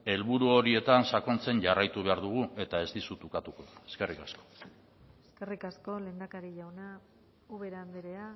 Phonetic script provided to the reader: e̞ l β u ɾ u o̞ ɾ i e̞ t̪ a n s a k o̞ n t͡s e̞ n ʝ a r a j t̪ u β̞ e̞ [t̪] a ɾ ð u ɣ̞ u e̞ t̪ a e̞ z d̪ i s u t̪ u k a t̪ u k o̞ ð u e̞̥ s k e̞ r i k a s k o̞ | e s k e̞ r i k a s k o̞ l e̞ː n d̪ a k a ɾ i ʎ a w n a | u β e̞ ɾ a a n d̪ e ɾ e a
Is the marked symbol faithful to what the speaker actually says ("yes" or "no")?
no